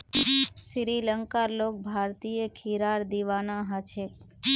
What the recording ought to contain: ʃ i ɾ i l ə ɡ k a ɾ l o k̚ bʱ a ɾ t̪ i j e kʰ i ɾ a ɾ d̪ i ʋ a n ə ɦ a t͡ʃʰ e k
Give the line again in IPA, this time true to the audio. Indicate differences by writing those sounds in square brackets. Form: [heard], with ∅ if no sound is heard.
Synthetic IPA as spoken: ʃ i ɾ i l ə [ŋ] k a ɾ l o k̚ bʱ a ɾ t̪ i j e kʰ i ɾ a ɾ d̪ i ʋ a n [a] ɦ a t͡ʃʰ e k